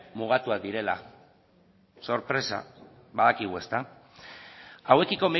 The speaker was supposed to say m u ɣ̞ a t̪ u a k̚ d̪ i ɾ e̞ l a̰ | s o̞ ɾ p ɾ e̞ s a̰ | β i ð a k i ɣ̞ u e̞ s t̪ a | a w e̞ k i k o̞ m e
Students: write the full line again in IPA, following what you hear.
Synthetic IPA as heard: m u ɣ̞ a t̪ u a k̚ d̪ i ɾ e̞ l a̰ | s o̞ ɾ p ɾ e̞ s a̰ | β a ð a k i ɣ̞ u e̞ s t̪ a | a w e̞ k i k o̞ m e